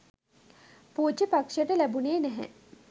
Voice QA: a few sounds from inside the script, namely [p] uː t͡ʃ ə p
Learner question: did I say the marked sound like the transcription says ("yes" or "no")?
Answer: yes